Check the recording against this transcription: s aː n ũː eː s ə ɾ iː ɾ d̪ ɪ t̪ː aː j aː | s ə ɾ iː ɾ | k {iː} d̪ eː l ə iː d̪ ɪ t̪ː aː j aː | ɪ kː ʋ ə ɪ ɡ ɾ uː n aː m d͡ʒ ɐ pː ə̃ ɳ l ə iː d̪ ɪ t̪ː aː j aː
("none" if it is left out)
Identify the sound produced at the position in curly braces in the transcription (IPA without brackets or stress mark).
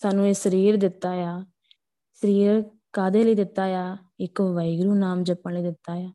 aː